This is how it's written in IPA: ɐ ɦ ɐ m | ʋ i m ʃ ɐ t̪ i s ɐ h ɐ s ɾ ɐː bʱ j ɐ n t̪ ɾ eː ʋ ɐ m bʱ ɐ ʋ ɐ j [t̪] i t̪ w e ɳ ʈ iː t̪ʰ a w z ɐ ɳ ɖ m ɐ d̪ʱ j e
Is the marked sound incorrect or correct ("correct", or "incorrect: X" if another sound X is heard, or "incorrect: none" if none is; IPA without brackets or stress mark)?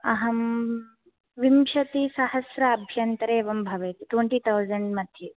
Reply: correct